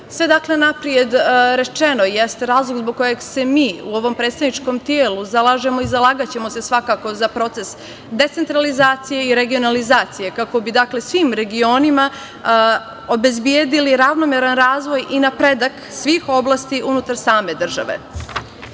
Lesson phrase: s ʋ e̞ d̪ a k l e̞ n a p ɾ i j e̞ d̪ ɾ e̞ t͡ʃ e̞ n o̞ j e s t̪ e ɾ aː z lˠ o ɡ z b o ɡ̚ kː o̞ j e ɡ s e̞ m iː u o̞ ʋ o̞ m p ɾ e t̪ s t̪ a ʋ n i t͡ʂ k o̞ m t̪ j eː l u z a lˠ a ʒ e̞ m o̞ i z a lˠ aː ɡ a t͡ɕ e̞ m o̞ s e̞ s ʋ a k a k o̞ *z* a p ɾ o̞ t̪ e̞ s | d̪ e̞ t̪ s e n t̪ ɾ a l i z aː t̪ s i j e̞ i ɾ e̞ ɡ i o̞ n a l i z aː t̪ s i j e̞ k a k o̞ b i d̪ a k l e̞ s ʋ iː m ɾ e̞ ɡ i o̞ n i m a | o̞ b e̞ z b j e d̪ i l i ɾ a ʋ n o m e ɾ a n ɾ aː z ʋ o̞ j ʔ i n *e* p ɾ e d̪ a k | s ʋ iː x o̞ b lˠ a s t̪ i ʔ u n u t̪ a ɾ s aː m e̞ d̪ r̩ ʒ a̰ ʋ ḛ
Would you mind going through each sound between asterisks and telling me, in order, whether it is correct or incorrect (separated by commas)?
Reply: correct, incorrect